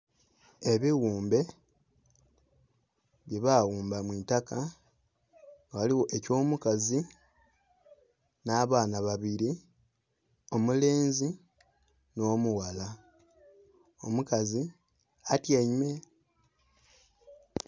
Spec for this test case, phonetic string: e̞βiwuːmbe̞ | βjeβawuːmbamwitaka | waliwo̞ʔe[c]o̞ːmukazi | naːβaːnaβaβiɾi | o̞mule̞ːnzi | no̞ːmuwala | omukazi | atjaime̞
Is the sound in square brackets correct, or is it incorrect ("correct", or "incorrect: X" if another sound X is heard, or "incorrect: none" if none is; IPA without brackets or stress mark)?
correct